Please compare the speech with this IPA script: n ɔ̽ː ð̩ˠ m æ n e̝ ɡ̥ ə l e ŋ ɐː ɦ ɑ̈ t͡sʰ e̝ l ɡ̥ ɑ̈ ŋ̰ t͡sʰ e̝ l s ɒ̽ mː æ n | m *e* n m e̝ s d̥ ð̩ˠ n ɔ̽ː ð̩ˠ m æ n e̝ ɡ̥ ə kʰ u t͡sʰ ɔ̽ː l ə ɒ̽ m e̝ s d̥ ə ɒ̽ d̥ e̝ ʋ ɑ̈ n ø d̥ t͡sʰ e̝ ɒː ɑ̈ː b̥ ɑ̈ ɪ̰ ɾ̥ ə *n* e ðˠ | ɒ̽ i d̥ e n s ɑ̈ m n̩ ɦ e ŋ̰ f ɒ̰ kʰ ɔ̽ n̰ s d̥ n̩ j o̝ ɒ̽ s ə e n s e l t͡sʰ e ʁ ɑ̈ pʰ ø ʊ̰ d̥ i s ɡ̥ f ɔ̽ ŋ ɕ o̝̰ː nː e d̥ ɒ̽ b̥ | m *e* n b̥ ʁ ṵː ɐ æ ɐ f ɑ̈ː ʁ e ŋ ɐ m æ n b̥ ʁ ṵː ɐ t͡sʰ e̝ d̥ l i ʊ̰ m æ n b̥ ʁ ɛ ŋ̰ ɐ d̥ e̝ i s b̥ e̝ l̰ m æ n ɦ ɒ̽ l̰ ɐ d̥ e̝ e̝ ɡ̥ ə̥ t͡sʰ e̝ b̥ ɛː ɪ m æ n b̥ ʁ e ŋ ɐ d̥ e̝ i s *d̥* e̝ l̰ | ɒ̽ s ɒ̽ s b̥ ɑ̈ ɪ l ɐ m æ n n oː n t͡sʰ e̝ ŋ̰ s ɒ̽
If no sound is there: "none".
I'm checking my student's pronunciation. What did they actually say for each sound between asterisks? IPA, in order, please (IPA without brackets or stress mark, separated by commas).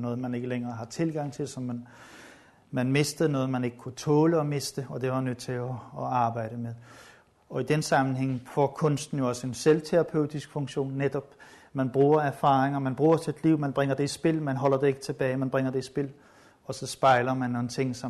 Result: æ, m, æ, b̥